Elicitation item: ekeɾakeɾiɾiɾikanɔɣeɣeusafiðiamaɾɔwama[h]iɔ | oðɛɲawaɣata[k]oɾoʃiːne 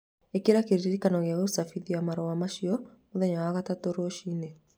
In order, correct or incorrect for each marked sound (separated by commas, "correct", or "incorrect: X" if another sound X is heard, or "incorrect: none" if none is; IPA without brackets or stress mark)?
incorrect: ʃ, incorrect: t